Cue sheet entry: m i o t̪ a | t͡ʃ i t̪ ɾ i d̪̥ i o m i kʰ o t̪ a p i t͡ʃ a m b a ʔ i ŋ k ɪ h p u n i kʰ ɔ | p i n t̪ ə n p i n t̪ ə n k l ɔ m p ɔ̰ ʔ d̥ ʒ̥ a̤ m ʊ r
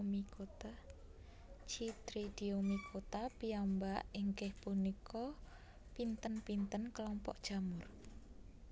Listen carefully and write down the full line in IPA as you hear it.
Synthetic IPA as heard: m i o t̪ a | t͡ʃ i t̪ ɾ i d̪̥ i o m i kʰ o t̪ a p i a m b a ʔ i ŋ k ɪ h p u n i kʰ ɔ | p i n t̪ ə n p i n t̪ ə n k l ɔ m p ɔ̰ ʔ d̥ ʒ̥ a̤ m ʊ r